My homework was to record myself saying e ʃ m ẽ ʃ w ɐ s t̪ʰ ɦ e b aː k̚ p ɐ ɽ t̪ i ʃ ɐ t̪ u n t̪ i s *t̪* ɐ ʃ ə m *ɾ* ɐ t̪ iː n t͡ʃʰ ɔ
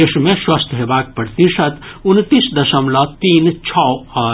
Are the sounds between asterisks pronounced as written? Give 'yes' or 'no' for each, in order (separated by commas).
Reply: no, no